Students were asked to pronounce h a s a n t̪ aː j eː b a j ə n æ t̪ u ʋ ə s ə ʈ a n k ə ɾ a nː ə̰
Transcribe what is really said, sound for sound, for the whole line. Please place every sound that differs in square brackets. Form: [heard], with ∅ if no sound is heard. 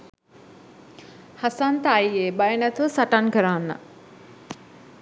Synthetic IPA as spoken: h a s a n t̪ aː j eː b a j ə n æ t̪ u ʋ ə s [a] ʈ a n k ə ɾ a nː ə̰